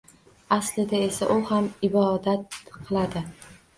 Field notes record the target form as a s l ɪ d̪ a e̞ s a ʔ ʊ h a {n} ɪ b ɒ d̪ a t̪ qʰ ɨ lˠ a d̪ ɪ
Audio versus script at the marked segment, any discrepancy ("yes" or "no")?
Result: yes